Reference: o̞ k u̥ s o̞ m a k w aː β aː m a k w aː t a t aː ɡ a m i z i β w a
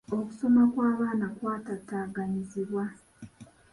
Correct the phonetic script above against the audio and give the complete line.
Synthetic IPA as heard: o̞ k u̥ s o̞ m a k w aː β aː n a k w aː t a t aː ɡ a ɲ i z i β w a

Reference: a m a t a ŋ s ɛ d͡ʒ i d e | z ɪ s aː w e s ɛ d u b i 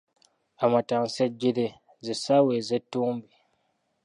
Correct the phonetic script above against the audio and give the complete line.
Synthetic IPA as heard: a m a t a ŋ s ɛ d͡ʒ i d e | z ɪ s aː w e z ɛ t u b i

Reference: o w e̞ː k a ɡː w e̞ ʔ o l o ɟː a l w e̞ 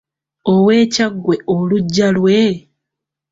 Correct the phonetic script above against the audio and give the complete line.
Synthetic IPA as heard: o w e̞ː c a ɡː w e̞ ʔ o l u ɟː a l w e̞

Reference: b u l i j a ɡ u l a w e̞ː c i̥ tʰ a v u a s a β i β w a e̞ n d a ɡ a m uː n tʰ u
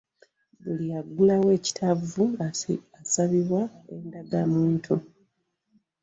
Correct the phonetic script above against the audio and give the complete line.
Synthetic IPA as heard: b u l i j a ɡ u l a w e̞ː c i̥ tʰ a v u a s a β i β w a e̞ n d a ɡ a m uː n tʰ u

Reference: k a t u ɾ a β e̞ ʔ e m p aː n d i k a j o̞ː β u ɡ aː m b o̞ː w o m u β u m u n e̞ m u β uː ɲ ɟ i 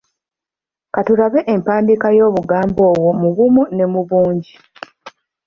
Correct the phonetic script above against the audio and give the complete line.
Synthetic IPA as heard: k a t u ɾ a β e̞ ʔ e m p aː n d i k a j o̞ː β u ɡ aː m b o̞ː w o m u β u m u n e̞ m u β uː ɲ ɟ i

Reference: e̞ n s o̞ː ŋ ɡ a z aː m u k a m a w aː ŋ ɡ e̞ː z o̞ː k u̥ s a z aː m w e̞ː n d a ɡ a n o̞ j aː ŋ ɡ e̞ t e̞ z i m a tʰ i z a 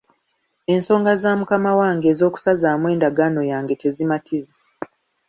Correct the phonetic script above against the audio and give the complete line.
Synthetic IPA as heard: e̞ n s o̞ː ŋ ɡ a z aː m u k a m a w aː ŋ ɡ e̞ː z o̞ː k u̥ s a z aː m w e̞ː n d a ɡ a n o̞ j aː ŋ ɡ e̞ t e̞ z i m a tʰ i z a

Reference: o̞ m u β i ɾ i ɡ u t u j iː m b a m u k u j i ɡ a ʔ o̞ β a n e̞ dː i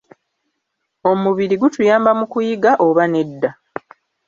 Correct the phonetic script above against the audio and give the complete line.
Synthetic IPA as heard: o̞ m u β i ɾ i ɡ u t u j aː m b a m u k u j i ɡ a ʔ o̞ β a n e̞ dː a

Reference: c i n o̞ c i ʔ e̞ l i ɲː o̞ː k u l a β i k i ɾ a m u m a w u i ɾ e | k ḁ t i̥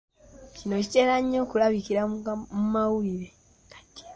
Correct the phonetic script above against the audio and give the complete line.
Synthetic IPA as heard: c i n o̞ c i t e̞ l a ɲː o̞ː k u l a β i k i ɾ a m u m a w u i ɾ e | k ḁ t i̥

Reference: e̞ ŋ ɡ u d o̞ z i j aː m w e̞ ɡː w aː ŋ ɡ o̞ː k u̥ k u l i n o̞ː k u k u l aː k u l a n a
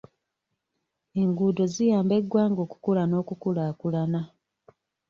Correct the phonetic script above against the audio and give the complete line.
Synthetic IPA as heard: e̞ ŋ ɡ u d o̞ z i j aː m b e̞ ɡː w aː ŋ ɡ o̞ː k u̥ k u l a n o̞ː k u k u l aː k u l a n a

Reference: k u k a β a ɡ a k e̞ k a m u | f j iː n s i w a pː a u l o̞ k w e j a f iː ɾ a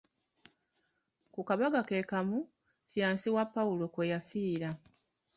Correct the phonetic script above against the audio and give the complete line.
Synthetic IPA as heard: k u k a β a ɡ a k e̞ k a m u | f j aː n s i w a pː a u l o̞ k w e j a f iː ɾ a

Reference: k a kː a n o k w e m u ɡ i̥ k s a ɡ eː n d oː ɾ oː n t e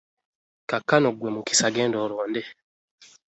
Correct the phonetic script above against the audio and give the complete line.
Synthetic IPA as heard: k a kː a n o ɡ w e m u k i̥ s a ɡ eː n d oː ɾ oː n d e

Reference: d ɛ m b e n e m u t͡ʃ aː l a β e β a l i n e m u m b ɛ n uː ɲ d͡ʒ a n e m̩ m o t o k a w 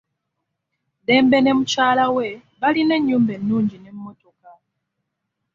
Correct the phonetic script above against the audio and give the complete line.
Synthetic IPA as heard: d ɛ m b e n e m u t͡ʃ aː l a w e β a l i n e ɲ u m b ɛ n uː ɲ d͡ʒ i n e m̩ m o t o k a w

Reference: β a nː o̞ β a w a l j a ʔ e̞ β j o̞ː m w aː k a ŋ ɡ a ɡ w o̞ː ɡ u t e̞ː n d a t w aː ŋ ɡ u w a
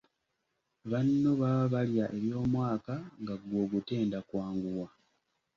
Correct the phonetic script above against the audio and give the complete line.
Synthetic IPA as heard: β a nː o̞ β a β a l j a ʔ e̞ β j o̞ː m w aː k a ŋ ɡ a ɡ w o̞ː ɡ u t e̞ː n d a k w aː ŋ ɡ u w a

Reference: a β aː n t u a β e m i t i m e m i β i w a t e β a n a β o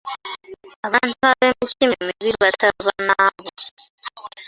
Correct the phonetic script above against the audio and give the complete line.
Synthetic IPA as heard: a β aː n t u a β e m i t i m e m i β i β a t a β a n a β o

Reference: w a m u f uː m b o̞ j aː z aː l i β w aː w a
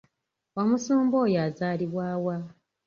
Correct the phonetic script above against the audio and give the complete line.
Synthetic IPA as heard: w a m u s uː m b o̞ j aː z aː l i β w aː w a

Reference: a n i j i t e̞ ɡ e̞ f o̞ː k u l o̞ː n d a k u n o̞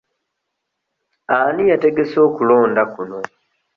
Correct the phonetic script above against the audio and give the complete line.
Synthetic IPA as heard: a n i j a t e̞ ɡ e̞ s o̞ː k u l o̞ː n d a k u n o̞

